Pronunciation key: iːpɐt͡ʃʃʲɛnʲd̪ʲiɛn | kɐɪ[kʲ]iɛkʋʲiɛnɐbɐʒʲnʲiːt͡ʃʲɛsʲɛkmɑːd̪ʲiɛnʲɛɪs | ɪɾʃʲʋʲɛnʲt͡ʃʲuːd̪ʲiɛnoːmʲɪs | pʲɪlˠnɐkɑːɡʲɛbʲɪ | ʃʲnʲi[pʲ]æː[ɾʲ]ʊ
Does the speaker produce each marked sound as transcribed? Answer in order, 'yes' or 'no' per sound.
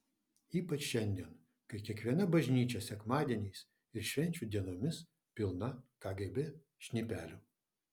yes, yes, no

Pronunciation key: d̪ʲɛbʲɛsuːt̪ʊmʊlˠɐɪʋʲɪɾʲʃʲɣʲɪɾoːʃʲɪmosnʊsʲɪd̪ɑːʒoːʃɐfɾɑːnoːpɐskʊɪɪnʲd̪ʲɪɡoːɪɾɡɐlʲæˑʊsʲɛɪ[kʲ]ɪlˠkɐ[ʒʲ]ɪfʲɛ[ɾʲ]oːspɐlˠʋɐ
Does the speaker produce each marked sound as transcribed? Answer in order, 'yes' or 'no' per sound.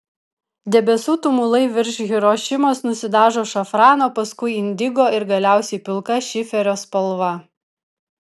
no, no, yes

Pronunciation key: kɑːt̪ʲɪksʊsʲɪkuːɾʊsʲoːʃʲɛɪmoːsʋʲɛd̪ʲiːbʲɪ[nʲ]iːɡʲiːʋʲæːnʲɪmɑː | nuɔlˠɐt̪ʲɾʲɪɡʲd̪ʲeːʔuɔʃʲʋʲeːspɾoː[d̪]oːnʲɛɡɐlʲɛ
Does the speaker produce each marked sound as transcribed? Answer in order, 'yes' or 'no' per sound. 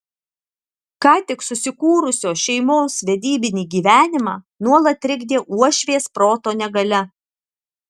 yes, no

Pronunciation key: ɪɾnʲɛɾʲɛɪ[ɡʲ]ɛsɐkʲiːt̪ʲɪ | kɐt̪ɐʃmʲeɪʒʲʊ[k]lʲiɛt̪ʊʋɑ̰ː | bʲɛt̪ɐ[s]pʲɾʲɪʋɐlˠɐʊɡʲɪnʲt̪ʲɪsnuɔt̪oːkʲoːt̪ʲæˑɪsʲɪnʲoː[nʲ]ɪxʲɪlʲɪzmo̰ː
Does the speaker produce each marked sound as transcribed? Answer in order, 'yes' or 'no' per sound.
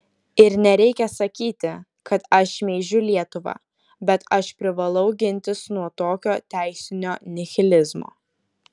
no, no, no, yes

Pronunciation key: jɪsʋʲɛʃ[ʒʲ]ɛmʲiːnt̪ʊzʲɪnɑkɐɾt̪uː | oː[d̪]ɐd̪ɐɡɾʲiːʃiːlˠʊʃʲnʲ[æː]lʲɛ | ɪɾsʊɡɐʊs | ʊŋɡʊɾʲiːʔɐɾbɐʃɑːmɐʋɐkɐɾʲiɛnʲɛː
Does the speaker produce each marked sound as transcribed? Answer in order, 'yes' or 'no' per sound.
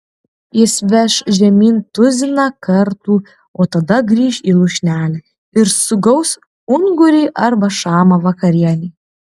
yes, no, yes

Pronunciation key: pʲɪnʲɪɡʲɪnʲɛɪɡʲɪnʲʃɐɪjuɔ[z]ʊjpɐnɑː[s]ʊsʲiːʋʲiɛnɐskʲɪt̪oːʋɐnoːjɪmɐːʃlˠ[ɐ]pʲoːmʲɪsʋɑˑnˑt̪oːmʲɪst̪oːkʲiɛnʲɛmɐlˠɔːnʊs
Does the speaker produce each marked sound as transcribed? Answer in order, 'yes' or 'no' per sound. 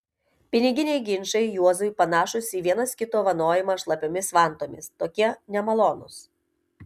yes, no, yes

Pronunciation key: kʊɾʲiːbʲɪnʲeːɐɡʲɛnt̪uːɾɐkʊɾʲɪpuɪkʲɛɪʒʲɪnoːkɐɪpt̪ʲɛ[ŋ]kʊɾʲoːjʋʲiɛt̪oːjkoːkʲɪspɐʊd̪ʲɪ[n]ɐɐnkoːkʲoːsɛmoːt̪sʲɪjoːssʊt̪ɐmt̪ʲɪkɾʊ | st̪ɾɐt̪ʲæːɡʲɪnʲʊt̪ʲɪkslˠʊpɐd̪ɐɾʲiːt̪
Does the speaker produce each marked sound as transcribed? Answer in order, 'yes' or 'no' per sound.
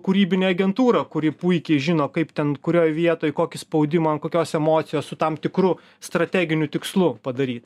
no, no

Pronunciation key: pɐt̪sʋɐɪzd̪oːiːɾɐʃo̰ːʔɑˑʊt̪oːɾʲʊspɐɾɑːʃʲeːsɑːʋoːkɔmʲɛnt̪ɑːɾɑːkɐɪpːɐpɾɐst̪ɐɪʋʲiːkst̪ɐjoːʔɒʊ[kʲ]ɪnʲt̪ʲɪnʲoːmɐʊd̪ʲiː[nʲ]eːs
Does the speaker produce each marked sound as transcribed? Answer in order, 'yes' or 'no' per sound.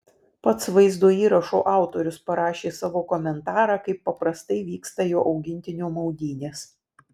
no, yes

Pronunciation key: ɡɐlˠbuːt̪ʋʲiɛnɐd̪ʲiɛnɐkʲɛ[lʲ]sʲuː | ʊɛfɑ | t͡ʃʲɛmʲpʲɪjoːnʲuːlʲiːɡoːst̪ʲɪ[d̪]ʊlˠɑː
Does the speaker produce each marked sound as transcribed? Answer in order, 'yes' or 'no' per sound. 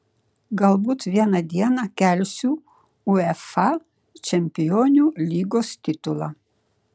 yes, no

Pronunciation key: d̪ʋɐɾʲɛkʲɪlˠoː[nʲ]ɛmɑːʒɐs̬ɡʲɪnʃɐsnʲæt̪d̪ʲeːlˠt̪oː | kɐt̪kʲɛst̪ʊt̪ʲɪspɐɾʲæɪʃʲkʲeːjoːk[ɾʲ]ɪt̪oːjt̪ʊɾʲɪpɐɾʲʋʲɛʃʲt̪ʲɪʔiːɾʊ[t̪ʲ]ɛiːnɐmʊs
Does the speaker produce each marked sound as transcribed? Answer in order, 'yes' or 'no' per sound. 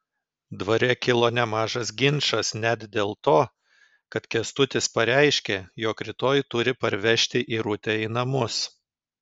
yes, yes, yes

